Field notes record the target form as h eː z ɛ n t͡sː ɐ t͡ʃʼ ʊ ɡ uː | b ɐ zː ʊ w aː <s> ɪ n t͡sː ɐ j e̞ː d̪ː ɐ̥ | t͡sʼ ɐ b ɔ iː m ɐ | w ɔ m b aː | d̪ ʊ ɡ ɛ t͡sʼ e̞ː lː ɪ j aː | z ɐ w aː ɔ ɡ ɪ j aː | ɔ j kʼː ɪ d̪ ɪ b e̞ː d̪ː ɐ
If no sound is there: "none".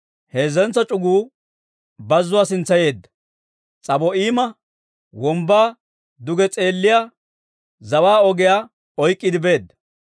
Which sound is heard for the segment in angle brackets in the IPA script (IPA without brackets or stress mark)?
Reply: s